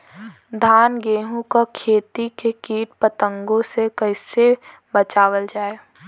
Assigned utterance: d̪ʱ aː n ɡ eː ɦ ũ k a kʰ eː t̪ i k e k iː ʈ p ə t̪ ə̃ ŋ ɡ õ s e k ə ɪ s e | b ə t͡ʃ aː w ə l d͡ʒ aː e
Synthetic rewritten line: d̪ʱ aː n ɡ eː ɦ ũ k a kʰ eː t̪ i k e k iː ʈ p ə t̪ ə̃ ŋ ɡ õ s e k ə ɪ s e | b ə t͡ʃ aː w ə l d͡ʒ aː e